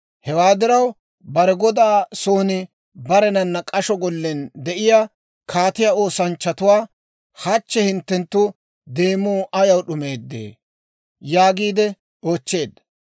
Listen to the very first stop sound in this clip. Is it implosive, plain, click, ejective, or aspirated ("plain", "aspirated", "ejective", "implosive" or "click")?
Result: plain